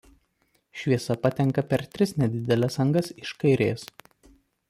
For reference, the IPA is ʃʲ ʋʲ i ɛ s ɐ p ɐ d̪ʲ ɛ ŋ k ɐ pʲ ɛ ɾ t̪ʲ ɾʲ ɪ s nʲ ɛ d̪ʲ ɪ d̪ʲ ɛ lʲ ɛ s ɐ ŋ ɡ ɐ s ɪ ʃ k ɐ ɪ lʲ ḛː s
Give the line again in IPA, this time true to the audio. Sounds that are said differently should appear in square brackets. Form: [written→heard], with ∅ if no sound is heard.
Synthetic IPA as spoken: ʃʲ ʋʲ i ɛ s ɐ p ɐ [d̪ʲ→t̪ʲ] ɛ ŋ k ɐ pʲ ɛ ɾ t̪ʲ ɾʲ ɪ s nʲ ɛ d̪ʲ ɪ d̪ʲ ɛ lʲ ɛ s ɐ ŋ ɡ ɐ s ɪ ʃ k ɐ ɪ [lʲ→ɾʲ] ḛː s